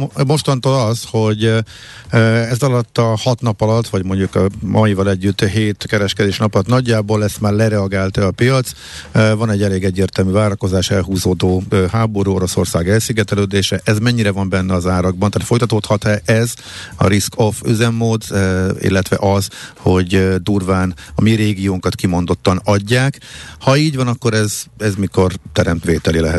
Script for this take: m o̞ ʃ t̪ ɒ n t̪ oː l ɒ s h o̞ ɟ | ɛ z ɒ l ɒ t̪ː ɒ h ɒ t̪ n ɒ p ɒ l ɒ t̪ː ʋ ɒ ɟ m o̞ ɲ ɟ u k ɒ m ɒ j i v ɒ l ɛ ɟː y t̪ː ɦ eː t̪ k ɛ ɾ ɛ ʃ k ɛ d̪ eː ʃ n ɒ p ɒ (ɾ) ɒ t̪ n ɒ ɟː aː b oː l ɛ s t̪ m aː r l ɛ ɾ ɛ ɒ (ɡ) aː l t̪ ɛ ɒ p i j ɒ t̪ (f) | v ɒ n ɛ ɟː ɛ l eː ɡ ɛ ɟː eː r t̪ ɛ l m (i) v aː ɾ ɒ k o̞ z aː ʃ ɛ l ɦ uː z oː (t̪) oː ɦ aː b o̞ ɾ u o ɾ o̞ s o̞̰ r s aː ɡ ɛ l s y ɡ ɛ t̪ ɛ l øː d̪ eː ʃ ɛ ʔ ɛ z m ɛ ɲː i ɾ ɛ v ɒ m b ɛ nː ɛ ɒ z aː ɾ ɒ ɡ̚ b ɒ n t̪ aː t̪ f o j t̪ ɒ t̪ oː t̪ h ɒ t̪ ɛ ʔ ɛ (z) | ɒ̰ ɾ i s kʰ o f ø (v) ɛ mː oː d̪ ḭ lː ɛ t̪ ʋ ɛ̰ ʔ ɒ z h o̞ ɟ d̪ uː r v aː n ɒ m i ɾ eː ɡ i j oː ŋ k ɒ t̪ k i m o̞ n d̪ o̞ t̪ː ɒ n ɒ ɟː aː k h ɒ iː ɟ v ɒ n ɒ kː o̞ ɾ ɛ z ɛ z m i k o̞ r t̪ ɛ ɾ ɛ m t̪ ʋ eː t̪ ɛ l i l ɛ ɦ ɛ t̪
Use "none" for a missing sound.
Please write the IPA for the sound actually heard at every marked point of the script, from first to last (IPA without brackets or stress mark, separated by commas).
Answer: l, ɡ, s, y, d̪, z, z